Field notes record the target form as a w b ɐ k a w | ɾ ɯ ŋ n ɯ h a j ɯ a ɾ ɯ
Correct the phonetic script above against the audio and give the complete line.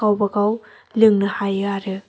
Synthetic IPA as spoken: a w b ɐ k a w | l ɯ ŋ n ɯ h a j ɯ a ɾ ɯ